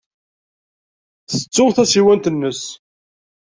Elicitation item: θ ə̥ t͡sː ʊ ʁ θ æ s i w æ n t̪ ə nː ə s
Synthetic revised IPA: θ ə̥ t͡sː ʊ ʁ θ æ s i w æ n t̪ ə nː ə s